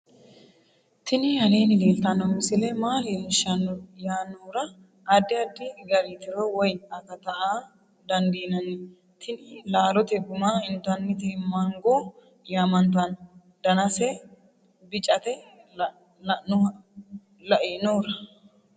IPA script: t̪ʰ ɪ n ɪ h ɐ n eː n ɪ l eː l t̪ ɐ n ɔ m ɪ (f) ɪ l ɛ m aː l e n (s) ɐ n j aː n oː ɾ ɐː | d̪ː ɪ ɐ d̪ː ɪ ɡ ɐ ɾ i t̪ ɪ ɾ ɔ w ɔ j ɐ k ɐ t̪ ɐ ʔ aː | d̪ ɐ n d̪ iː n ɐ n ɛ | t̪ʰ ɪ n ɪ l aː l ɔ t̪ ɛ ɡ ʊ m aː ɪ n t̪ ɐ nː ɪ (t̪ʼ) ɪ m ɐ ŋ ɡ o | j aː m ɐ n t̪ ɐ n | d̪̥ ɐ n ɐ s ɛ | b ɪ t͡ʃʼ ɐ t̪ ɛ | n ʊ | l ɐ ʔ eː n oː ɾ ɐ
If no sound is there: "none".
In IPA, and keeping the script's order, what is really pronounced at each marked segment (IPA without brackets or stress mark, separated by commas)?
s, ʃ, t̪